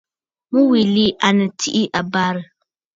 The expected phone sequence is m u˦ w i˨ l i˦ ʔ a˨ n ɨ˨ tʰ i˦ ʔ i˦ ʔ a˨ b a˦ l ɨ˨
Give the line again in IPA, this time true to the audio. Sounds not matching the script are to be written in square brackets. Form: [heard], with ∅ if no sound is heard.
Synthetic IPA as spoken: m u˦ w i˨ l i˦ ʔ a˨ n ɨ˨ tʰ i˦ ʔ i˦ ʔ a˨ b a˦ [ɾ] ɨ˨